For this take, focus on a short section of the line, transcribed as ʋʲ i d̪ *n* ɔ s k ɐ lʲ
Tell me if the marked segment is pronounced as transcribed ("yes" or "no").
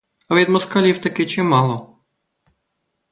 no